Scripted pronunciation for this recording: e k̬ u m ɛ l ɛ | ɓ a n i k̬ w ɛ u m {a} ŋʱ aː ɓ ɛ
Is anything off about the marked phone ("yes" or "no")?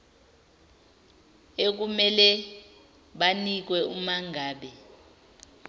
no